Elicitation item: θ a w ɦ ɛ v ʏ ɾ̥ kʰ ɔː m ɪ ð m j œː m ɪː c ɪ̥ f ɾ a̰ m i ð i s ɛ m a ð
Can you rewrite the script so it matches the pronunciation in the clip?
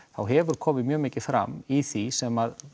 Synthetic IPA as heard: θ a w ɦ ɛ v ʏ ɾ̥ kʰ ɔː m ɪ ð m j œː m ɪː c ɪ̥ f ɾ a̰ m i θ i s ɛ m a ð